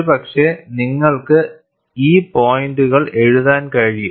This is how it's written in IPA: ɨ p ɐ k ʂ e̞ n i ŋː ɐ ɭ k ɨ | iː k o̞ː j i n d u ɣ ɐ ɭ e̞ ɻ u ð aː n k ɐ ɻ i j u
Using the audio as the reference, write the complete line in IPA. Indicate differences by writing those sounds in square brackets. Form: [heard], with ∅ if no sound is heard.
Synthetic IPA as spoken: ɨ p ɐ k ʂ e̞ n i ŋː ɐ ɭ k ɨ | iː [p] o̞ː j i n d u ɣ ɐ ɭ e̞ ɻ u ð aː n k ɐ ɻ i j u